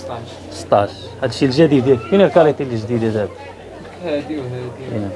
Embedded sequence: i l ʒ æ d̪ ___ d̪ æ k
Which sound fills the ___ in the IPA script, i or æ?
i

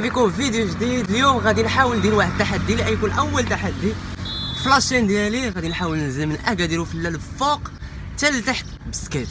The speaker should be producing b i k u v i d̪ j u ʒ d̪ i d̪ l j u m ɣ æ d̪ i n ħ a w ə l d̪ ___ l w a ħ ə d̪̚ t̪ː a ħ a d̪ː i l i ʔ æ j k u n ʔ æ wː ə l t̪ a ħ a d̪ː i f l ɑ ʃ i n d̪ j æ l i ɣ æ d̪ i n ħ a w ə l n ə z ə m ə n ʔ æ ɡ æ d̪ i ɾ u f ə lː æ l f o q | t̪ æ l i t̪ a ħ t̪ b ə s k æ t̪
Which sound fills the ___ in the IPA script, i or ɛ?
i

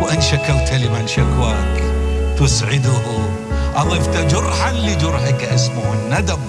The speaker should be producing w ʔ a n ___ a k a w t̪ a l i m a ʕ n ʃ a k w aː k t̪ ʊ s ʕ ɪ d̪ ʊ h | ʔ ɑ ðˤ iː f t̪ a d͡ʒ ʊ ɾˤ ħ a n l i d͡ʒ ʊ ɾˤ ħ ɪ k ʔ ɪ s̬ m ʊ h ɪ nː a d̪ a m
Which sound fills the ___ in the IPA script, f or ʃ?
ʃ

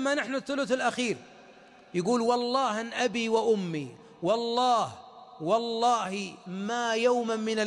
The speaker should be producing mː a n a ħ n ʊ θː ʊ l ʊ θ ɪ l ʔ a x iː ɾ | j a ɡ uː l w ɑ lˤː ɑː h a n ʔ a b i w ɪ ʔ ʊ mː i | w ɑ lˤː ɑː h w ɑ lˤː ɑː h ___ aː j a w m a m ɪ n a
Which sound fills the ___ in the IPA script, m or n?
m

